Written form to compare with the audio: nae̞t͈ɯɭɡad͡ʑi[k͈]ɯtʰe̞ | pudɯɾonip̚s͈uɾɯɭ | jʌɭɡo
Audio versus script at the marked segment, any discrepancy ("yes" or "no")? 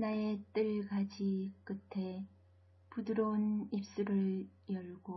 no